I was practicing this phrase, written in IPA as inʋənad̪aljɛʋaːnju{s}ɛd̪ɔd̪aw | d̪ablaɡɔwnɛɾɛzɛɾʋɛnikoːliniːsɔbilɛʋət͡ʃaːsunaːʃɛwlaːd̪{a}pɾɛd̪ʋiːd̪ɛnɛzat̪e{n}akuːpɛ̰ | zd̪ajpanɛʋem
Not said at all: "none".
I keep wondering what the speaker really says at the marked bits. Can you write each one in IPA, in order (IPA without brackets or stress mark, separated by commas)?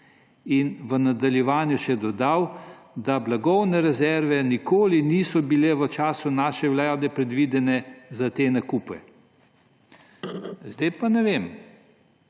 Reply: ʃ, ɛ, n